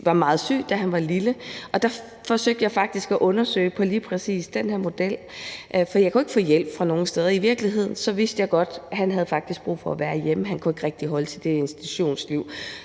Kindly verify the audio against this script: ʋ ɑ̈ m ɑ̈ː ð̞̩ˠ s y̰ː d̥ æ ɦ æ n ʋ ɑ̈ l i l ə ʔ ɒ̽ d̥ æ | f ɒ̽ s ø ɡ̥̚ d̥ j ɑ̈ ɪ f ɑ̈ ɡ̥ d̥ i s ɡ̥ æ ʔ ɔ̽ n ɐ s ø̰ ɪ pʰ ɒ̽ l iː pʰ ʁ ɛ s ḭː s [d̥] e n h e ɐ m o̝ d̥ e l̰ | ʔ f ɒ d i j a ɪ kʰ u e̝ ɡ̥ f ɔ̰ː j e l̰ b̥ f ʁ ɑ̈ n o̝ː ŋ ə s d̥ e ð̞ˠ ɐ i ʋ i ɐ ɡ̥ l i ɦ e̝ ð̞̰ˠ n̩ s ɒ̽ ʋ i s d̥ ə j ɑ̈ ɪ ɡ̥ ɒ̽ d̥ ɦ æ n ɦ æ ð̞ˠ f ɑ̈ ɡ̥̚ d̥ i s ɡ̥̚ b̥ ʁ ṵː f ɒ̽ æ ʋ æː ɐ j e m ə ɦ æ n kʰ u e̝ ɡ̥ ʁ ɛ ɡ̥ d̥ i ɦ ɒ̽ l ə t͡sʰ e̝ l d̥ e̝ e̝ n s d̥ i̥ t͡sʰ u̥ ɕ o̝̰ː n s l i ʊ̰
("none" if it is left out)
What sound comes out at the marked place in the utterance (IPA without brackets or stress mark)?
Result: d̥